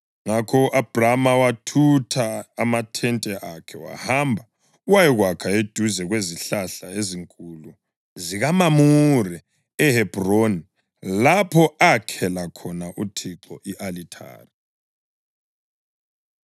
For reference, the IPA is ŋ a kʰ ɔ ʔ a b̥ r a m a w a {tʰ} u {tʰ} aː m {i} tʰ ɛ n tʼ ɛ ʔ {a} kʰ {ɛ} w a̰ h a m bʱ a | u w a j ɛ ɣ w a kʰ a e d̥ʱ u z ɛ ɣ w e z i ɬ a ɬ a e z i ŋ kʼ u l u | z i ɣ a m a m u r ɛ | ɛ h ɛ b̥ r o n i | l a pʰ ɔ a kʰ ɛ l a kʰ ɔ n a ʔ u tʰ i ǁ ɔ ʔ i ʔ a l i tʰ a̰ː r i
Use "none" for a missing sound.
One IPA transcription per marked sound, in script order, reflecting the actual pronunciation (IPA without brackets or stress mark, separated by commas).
tʰ, tʰ, a, a, ɛ